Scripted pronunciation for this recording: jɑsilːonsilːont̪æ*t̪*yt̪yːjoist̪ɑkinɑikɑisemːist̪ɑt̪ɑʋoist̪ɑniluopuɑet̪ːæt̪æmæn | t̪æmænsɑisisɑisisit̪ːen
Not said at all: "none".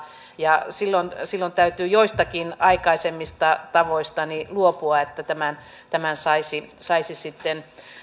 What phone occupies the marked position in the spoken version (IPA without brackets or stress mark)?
none